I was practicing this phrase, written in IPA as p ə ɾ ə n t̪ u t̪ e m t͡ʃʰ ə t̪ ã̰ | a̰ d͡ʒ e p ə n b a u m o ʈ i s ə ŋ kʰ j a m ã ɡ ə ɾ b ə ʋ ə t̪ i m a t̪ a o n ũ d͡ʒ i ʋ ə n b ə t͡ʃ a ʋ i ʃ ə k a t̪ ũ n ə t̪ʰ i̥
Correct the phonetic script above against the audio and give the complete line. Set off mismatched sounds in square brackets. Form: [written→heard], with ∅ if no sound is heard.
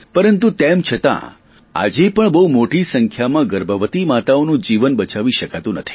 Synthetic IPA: p ə ɾ ə n t̪ u t̪ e m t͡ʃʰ ə t̪ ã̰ | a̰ d͡ʒ e p ə [n→ɳ] b [a→ə] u m o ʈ i s ə ŋ kʰ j a m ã ɡ ə ɾ b ə ʋ ə t̪ i m a t̪ a o n ũ d͡ʒ i ʋ ə n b ə t͡ʃ a ʋ i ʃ ə k a t̪ ũ n ə t̪ʰ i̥